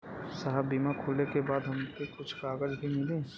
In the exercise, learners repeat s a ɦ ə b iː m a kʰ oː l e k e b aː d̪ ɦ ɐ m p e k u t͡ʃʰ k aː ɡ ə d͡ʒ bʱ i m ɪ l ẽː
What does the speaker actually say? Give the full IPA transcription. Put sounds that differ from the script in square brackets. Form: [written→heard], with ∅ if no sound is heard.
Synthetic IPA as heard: s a ɦ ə b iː m a kʰ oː l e k e b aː d̪ ɦ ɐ m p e k [u→ʊ] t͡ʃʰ k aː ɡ ə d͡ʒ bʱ i m ɪ l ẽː

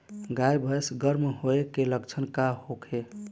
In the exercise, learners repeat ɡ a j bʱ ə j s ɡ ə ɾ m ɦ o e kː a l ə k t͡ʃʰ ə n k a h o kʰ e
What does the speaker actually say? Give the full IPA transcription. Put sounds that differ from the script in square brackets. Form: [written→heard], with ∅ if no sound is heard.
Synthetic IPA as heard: ɡ a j bʱ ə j s ɡ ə ɾ m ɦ o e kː [a→e] l ə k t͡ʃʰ ə n k a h o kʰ e

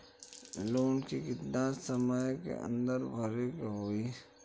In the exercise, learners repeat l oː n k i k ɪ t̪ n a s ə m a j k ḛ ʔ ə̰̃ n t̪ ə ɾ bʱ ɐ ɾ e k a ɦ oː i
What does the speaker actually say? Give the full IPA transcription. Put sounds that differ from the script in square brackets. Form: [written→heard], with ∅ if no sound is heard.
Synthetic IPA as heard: l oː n k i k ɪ t̪ n a s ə m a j k ḛ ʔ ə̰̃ n [t̪→d̪] ə ɾ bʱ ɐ ɾ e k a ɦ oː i

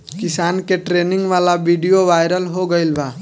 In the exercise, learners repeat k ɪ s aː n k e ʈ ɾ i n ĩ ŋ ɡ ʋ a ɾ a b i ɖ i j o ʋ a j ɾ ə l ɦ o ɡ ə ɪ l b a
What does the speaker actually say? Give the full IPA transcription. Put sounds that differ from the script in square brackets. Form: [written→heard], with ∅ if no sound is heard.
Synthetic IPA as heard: k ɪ s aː n k e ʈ ɾ [i→e] n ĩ ŋ ɡ ʋ a [ɾ→l] a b i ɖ i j o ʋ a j ɾ ə l ɦ o ɡ ə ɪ l b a

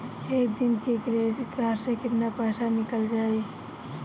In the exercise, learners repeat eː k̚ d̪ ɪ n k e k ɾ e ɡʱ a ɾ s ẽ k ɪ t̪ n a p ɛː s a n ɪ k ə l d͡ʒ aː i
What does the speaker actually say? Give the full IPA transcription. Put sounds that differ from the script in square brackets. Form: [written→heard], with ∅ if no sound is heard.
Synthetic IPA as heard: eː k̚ d̪ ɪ n k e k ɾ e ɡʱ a ɾ s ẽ k ɪ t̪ n a p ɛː s a n ɪ k ə l d͡ʒ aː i

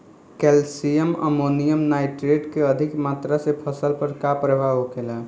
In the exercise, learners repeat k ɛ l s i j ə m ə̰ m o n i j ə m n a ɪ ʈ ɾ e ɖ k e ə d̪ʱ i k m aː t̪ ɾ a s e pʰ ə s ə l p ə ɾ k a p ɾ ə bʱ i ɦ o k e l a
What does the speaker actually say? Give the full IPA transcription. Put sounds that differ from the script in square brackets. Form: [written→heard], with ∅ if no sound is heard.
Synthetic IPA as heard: k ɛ l s i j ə m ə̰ m o n i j ə m n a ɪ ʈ ɾ e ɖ k e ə d̪ʱ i k m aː t̪ ɾ a s e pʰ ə s ə l p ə ɾ k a p ɾ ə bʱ [i→a] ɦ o k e l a

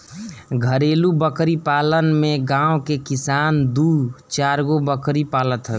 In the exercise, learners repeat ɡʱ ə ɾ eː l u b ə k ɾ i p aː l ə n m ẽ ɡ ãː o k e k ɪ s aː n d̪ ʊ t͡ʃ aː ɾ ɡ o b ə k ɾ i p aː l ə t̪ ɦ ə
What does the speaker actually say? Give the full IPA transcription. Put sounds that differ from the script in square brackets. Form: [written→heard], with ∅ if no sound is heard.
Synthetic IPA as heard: ɡʱ ə ɾ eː l u b ə k ɾ i p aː l ə n m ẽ ɡ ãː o k e k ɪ s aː n d̪ [ʊ→u] t͡ʃ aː ɾ ɡ o b ə k ɾ i p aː l ə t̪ ɦ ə

